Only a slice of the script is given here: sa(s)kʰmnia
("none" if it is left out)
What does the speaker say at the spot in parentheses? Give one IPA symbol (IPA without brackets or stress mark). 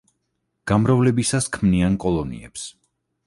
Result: s